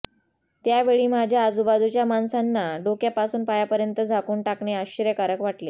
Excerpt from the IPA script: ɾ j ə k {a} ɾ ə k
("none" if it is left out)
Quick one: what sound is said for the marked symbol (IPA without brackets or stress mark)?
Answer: a